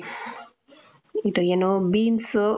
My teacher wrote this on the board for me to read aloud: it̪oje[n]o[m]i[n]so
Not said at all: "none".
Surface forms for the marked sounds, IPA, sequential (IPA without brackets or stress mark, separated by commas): n, b, n